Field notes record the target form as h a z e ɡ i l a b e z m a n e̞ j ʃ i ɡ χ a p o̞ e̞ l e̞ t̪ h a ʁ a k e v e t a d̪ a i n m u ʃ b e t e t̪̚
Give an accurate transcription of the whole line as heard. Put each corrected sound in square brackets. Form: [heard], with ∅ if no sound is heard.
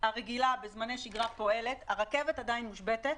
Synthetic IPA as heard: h a [ʁ] e ɡ i l a b e z m a n e̞ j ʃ i ɡ [ʁ] a p o̞ e̞ l e̞ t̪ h a ʁ a k e v e t a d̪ a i n m u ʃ b e t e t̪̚

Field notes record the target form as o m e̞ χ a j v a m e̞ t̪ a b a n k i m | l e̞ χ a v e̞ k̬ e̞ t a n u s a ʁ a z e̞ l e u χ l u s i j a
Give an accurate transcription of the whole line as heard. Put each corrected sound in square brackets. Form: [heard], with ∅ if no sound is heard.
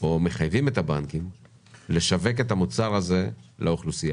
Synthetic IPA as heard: o m e̞ χ a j v [i] m e̞ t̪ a b a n k i m | l e̞ [ʃ] a v e̞ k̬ e̞ t a [m] u [t͡s] a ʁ a z e̞ l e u χ l u s i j a

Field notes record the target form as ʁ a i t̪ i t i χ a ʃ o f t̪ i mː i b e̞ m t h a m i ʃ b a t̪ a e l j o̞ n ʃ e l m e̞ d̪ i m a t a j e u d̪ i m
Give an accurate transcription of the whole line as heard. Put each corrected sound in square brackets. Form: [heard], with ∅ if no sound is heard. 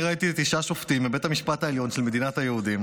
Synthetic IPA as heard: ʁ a i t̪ i t i [ʃ] a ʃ o f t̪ i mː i b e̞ [∅] t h a m i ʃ [p] a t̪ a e l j o̞ n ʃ e l m e̞ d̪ i [n] a t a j e u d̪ i m

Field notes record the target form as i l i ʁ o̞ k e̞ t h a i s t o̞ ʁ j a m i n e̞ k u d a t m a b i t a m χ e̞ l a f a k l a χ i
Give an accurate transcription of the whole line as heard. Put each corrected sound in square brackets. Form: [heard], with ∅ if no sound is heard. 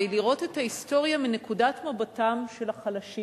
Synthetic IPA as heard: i l i ʁ o̞ [t] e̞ t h a i s t o̞ ʁ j a m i n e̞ k u d a t m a b [a] t a m [ʃ] e̞ l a [χ] a [∅] l a [ʃ] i

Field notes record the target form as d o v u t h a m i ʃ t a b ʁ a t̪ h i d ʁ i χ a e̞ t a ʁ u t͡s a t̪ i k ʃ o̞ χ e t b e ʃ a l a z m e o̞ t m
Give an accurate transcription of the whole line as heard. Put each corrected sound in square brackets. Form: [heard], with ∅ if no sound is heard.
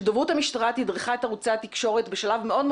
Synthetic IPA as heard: d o v u t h a m i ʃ t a [∅] ʁ a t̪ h i d ʁ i χ a e̞ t a ʁ u t͡s a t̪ i k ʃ o̞ [ʁ] e t b e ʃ a l a [v] m e o̞ [d] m

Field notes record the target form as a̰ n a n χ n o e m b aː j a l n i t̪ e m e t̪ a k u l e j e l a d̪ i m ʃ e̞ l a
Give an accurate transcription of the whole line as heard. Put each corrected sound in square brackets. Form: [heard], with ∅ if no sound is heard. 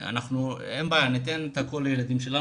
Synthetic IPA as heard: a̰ n a [∅] χ n [u] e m b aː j a [∅] n i t̪ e [n] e t̪ a k [o] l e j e l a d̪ i m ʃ e̞ l a

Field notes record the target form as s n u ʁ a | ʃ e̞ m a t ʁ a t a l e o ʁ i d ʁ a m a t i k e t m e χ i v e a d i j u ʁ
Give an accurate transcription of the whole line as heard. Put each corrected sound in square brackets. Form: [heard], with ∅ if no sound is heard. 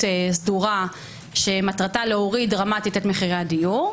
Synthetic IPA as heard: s [d] u ʁ a | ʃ e̞ m a t ʁ a t a l e o ʁ i d ʁ a m a t i [t] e t m e χ i [ʁ] e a d i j u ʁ

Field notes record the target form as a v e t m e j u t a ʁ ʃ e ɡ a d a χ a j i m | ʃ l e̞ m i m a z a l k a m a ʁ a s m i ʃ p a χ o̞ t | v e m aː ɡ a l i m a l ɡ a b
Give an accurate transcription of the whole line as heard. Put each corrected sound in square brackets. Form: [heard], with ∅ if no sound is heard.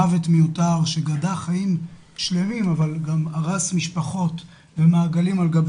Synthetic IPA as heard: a v e t m e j u t a ʁ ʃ e ɡ a d a χ a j i m | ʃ l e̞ m i m a [v] a l [ɡ] a m a ʁ a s m i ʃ p a χ o̞ t | v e m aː ɡ a l i m a l ɡ a b

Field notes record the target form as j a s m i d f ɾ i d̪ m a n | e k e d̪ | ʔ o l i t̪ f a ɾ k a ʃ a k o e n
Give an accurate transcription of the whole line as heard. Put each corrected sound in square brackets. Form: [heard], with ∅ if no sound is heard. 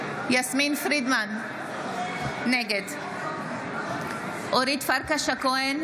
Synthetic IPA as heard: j a s m i [n] f ɾ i d̪ m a n | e [ɡ] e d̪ | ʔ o [ɾ] i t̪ f a ɾ k a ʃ a k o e n

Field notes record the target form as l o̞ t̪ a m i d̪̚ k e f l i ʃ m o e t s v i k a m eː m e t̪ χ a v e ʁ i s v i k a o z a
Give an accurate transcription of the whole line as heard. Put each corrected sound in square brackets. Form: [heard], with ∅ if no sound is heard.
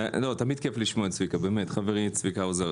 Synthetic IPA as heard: l o̞ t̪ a m i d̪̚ k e f l i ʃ m o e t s v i k a [b] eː m e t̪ χ a v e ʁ i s v i k a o z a

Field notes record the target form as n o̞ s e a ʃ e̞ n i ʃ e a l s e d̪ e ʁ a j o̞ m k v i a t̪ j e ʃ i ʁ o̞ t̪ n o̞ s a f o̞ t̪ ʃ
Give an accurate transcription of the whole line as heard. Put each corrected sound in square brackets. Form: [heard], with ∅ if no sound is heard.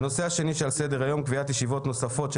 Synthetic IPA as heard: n o̞ s e a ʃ e̞ n i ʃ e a l s e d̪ e ʁ a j o̞ m k v i a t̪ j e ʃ i [v] o̞ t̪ n o̞ s a f o̞ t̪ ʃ

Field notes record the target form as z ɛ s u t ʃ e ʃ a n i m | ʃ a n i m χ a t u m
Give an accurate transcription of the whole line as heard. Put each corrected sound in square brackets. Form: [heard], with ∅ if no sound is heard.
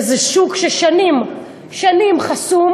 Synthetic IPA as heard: z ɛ [ʃ] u [k] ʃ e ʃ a n i m | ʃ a n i m χ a [s] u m

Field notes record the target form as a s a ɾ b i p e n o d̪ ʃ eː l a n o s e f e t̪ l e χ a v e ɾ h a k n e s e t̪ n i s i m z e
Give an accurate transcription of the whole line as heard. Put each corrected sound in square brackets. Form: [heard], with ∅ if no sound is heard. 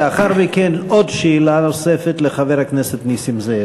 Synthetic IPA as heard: a [χ] a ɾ [m] i [k] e n o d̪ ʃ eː l a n o s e f e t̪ l e χ a v e ɾ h a k n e s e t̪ n i s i m z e

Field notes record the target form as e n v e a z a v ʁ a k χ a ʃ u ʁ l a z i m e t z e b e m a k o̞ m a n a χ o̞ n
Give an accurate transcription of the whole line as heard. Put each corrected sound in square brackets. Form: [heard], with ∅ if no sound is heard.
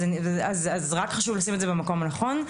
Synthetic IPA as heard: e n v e a z a [z] ʁ a k χ a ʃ u [v] l a [s] i m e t z e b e m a k o̞ m a n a χ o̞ n

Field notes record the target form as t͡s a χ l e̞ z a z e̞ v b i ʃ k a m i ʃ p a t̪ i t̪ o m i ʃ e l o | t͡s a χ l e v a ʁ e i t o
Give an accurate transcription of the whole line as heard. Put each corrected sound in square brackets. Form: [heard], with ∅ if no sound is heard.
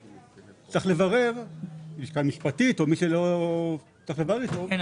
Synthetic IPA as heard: t͡s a χ l e̞ [v] a [ʁ] e̞ v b i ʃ k a m i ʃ p a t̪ i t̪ o m i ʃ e l o | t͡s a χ l e v a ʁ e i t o

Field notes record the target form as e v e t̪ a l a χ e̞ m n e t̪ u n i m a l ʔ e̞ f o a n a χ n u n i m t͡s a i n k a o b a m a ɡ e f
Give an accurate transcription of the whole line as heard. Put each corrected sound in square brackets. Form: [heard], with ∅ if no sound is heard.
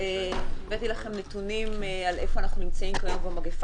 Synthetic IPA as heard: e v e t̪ [i] l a χ e̞ m n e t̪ u n i m a l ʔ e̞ f o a n a χ n u n i m t͡s a i [m] k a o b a m a ɡ e f

